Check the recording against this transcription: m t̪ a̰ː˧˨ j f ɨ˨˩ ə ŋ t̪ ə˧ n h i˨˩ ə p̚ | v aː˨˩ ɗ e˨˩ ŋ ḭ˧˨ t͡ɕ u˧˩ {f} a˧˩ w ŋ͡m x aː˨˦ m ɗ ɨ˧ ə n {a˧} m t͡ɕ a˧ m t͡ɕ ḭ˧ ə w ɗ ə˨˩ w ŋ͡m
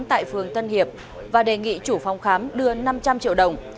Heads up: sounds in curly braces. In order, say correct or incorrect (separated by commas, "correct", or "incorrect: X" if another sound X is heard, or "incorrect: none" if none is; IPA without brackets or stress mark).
correct, correct